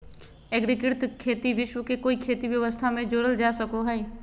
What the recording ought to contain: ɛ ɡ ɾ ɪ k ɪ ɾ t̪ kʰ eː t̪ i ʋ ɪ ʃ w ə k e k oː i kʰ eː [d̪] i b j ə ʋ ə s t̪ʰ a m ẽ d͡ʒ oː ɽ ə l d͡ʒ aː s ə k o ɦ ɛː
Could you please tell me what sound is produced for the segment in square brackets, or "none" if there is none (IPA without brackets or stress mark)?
t̪